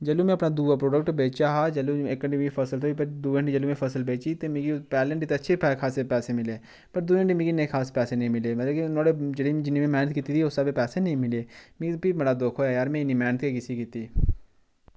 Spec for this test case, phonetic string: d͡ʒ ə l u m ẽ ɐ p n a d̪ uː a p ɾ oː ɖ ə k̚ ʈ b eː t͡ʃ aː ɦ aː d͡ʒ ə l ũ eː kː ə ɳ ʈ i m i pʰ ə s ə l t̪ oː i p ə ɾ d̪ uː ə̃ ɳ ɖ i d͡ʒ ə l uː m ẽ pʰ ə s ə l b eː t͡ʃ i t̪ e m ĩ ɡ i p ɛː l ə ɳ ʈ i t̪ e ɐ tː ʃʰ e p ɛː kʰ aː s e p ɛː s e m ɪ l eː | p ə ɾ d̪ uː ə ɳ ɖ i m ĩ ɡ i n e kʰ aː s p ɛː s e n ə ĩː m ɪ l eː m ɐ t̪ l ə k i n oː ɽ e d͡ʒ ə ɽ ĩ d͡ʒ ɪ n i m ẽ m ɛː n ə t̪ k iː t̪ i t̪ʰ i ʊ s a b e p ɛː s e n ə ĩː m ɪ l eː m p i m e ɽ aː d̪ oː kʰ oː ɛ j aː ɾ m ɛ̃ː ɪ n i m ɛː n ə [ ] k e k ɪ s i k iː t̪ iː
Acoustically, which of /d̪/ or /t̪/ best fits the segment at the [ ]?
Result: t̪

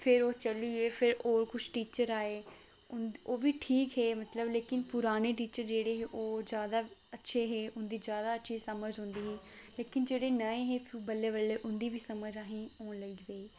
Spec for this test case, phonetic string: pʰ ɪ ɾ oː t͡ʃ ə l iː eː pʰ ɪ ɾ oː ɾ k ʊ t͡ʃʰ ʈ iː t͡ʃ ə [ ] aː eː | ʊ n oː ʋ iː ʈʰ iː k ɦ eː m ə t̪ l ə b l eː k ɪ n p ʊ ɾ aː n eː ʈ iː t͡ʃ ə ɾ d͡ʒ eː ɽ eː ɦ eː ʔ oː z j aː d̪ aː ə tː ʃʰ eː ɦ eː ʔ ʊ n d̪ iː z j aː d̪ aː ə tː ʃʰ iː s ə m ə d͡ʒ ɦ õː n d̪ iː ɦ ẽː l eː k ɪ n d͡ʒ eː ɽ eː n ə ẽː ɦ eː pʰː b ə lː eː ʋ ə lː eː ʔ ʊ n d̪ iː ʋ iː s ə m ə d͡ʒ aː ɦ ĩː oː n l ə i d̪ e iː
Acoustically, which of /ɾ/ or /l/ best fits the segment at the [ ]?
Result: ɾ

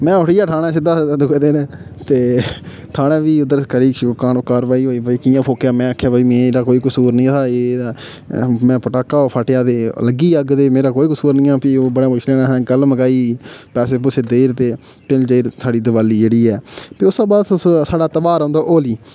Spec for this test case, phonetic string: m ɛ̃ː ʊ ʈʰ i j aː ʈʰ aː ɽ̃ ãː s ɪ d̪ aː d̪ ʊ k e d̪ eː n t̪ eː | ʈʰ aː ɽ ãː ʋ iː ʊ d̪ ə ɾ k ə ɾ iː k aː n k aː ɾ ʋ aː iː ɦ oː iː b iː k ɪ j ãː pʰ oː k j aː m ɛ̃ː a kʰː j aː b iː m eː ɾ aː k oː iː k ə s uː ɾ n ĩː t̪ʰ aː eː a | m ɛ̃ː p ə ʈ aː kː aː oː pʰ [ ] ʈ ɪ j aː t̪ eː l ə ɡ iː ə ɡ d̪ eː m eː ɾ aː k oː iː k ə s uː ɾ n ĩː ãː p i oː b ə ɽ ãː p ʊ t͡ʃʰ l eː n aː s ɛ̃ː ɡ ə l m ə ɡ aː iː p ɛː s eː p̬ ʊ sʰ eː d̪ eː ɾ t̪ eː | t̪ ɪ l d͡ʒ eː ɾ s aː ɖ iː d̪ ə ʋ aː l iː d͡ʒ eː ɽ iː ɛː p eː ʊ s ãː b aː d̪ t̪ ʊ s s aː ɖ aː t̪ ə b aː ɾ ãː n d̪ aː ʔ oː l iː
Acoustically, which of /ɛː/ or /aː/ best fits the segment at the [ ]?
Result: aː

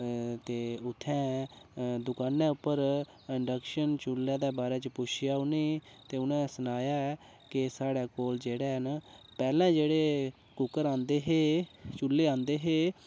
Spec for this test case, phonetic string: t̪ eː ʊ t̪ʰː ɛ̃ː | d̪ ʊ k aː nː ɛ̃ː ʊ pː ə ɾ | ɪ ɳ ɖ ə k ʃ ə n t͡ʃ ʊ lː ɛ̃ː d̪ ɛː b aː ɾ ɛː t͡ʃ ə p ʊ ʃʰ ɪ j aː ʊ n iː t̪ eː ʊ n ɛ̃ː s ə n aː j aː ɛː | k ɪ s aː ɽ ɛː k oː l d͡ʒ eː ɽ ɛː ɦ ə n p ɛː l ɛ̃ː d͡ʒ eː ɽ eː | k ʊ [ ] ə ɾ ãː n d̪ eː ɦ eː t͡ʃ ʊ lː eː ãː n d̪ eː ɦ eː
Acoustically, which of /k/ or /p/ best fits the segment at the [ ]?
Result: k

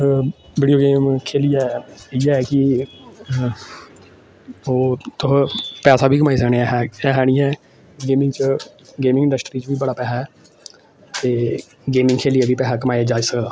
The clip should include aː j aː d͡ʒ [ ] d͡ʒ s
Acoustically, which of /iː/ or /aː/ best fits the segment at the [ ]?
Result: aː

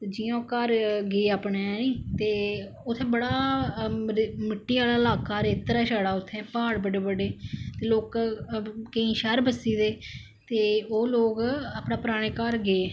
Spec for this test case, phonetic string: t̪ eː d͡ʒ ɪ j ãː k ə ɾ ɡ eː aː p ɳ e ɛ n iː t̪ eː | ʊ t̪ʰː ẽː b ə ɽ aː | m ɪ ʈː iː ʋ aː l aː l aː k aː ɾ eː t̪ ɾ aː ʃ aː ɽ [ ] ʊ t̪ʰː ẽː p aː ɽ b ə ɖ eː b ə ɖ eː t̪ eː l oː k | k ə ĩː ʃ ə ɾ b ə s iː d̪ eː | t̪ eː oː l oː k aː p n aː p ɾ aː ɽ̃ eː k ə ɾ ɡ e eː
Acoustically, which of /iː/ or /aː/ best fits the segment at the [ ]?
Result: aː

